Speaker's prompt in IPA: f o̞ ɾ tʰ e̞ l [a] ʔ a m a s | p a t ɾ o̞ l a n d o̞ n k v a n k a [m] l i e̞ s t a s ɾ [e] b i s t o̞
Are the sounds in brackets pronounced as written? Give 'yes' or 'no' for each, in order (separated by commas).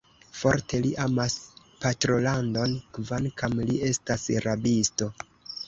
no, yes, no